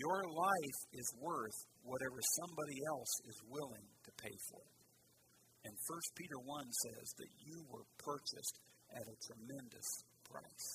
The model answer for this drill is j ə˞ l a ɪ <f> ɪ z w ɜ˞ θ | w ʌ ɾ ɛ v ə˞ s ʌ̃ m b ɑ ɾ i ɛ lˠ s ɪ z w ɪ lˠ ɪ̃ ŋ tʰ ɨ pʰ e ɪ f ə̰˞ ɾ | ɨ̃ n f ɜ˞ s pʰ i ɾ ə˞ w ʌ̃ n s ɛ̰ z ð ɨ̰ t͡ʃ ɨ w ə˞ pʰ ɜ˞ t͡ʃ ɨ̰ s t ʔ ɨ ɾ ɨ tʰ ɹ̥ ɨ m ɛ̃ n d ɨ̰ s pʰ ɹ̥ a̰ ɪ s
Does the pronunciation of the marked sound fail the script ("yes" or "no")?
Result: no